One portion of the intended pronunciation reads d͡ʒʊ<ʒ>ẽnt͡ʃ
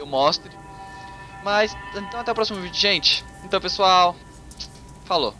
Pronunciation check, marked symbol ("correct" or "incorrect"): correct